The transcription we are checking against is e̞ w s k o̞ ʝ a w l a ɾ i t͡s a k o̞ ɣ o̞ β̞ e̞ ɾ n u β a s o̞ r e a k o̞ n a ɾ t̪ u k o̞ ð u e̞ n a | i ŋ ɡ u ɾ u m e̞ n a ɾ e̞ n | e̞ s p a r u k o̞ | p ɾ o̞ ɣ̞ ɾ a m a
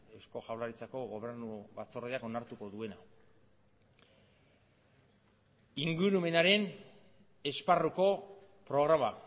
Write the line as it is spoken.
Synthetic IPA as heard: e̞ w s k o̞ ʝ a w l a ɾ i t͡s a k o̞ ɣ o̞ β̞ e̞ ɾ n u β a t͡s o̞ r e a k o̞ n a ɾ t̪ u k o̞ ð u e̞ n a | i ŋ ɡ u ɾ u m e̞ n a ɾ e̞ n | e̞ s p a r u k o̞ | p ɾ o̞ ɣ̞ ɾ a m a